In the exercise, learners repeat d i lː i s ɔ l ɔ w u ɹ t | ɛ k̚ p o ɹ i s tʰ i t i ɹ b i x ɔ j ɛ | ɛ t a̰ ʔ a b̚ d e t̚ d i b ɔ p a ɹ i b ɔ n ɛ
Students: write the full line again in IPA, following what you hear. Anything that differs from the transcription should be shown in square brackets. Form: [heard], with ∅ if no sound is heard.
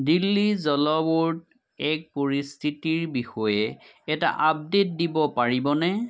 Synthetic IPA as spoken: d i lː i [z] ɔ l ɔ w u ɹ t | ɛ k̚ p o ɹ i s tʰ i t i ɹ b i x ɔ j ɛ | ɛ t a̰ ʔ a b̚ d e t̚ d i b ɔ p a ɹ i b ɔ n ɛ